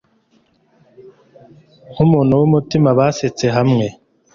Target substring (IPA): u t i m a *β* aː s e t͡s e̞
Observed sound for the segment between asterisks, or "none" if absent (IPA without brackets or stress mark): β